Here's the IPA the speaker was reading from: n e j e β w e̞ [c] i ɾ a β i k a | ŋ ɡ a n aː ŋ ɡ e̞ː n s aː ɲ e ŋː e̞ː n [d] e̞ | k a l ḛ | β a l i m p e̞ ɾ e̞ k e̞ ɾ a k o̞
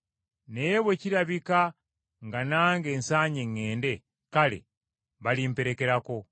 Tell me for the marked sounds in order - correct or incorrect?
correct, correct

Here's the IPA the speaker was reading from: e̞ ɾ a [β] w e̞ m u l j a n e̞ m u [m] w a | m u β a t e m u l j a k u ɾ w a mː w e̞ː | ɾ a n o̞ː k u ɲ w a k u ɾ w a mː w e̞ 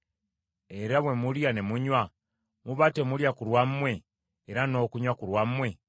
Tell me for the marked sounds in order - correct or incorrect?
correct, incorrect

